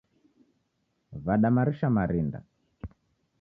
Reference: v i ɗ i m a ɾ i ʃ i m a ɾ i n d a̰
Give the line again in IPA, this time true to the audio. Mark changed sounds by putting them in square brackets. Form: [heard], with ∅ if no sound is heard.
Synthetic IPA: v [a] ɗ [a] m a ɾ i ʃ [a] m a ɾ i n d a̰